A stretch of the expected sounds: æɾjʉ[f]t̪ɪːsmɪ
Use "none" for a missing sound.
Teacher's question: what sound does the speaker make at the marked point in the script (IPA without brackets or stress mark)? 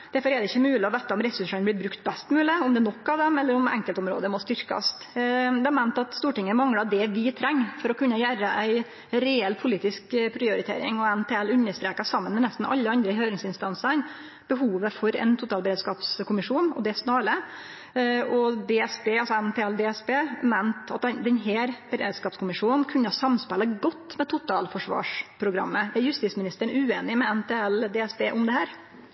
s